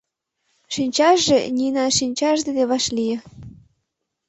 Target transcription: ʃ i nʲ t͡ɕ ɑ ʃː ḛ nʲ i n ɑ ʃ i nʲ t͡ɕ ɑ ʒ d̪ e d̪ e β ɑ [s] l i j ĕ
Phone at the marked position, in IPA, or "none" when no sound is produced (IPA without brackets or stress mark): ʃ